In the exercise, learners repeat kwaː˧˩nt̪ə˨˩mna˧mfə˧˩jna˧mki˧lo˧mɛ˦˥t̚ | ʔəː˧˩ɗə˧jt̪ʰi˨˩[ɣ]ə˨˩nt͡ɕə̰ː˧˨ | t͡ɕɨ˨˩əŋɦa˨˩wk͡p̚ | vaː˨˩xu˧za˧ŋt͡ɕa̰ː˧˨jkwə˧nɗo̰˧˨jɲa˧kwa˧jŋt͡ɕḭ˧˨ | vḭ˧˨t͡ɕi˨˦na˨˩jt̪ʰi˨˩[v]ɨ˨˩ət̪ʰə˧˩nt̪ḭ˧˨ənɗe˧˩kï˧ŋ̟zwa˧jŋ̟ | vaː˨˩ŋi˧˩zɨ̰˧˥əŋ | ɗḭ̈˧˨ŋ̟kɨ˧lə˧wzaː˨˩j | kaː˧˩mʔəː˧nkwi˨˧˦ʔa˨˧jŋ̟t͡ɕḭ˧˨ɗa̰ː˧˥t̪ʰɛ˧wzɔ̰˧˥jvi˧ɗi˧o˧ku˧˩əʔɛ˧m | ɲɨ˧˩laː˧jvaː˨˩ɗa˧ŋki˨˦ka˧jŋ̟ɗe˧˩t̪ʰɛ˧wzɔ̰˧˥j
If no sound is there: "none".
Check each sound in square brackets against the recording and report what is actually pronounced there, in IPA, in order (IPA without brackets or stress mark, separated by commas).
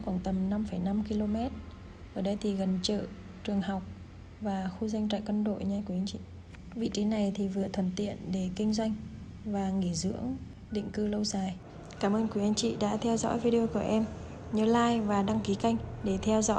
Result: ɣ, v